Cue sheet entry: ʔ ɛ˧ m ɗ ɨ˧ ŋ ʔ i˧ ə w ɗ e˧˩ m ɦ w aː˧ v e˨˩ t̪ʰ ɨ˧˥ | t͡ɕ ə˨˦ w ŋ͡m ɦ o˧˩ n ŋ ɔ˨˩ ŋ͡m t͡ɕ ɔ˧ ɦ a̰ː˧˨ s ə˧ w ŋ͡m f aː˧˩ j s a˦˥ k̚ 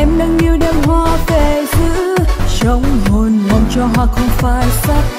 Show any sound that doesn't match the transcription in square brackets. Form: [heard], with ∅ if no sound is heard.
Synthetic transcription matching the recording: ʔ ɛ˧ m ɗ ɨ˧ ŋ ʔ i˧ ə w ɗ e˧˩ m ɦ w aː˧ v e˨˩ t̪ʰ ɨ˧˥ | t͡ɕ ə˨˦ w ŋ͡m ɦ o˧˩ n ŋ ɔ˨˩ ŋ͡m t͡ɕ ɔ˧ ɦ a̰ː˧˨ [x] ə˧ w ŋ͡m f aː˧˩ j s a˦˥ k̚